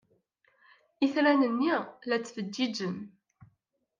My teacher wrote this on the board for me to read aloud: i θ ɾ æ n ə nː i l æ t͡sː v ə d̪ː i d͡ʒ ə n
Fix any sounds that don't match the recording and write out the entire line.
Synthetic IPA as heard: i θ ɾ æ n ə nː i l æ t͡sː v ə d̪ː i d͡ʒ ə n